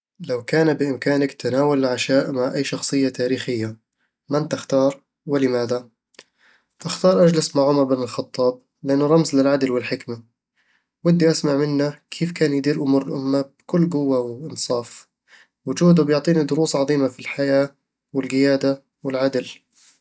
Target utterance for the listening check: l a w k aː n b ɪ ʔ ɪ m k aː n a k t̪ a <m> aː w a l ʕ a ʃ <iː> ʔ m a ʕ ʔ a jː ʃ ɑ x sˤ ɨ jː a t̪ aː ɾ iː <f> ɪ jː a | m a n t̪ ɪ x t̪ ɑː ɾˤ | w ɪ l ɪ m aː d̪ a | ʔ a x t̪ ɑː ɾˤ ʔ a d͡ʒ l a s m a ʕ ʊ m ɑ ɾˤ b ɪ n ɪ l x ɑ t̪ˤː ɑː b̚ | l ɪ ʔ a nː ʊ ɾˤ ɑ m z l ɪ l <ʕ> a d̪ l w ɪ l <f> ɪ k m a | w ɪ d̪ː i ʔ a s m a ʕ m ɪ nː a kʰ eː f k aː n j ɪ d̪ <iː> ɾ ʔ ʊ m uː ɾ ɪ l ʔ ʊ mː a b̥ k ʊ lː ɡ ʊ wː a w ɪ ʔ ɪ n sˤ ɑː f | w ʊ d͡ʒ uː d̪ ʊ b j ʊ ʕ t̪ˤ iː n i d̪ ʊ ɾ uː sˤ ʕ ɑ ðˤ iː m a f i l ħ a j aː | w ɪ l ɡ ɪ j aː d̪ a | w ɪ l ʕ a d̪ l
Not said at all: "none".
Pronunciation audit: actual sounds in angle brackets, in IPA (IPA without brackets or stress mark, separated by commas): n, aː, x, ʕ, ħ, iː